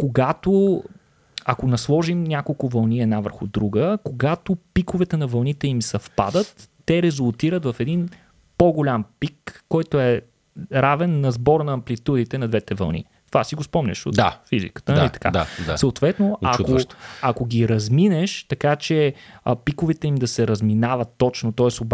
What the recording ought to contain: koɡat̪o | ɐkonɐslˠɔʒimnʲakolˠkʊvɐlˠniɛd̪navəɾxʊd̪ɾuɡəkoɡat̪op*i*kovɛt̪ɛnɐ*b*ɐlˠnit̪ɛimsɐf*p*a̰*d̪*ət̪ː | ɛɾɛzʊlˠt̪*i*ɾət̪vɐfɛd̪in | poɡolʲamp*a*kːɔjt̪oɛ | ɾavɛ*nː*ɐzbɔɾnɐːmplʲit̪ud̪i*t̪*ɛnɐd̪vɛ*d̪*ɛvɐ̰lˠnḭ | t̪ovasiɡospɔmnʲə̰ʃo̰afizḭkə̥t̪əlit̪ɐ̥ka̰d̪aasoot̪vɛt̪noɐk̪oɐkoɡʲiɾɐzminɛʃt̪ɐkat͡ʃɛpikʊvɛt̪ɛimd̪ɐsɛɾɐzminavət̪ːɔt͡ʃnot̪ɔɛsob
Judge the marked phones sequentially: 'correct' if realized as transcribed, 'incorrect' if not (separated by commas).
correct, incorrect, correct, correct, correct, incorrect, correct, correct, incorrect